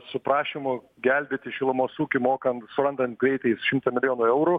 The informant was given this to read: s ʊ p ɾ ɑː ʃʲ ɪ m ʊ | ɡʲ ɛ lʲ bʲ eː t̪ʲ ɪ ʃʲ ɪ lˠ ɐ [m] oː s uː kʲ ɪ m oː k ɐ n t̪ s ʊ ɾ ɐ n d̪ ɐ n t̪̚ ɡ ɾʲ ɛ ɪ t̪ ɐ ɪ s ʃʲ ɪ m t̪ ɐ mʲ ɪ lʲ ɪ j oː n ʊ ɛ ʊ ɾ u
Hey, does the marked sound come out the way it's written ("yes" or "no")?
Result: yes